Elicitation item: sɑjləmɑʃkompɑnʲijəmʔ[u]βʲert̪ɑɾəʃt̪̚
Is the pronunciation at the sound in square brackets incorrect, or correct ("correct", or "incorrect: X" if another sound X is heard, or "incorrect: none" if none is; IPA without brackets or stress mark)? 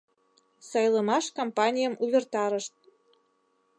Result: correct